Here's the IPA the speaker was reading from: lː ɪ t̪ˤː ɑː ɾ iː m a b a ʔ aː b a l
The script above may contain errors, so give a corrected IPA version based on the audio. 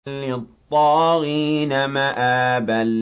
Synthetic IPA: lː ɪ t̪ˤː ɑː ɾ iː n a m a ʔ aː b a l

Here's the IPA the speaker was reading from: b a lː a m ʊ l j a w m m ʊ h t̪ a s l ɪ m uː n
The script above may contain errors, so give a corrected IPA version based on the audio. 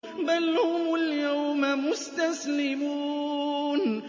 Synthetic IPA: b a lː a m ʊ l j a w m m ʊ s t̪ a s l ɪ m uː n

